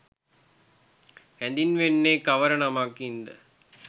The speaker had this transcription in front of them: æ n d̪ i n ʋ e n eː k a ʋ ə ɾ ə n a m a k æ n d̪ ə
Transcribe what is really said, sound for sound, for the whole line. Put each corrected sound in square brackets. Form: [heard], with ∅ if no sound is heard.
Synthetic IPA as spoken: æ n d̪ i n ʋ e [nː] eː k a ʋ ə ɾ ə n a m a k [i] n d̪ ə